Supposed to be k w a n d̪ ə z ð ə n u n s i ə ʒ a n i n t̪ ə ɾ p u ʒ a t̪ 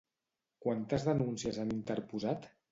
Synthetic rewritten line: k w a n t̪ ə z ð ə n u n s i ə z a n i n t̪ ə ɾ p u z a t̪